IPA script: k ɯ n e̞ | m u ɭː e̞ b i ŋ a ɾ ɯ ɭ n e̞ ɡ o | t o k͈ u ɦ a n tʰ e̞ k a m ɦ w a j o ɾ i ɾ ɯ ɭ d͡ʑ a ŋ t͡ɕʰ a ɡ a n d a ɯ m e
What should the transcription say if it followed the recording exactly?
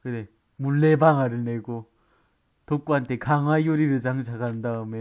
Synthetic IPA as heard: k ɯ n e̞ | m u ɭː e̞ b a ŋ a ɾ ɯ ɭ n e̞ ɡ o | t o k͈ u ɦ a n tʰ e̞ k a ŋ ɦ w a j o ɾ i ɾ ɯ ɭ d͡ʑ a ŋ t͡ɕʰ a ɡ a n d a ɯ m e